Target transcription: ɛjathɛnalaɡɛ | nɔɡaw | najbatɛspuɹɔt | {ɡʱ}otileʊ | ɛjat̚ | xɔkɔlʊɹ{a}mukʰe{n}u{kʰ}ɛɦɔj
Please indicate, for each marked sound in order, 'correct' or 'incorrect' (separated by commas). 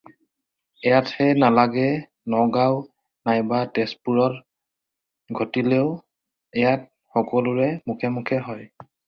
correct, incorrect, incorrect, correct